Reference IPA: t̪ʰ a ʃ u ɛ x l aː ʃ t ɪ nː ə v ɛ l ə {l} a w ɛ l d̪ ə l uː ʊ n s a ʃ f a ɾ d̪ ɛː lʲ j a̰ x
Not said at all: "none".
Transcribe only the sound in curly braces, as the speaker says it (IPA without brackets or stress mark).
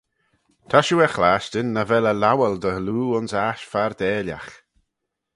l